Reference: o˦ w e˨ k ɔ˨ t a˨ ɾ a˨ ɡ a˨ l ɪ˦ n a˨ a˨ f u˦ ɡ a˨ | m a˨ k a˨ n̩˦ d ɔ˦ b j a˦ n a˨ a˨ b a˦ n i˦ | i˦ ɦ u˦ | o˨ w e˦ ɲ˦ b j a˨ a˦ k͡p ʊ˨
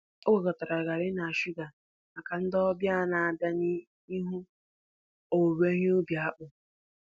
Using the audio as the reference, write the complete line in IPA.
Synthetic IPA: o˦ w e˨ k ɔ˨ t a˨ ɾ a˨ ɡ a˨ ɾ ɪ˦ n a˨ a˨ ʃ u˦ ɡ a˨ | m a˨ k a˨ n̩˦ d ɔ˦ b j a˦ n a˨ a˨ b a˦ n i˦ | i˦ ɦ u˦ | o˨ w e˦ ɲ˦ b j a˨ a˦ k͡p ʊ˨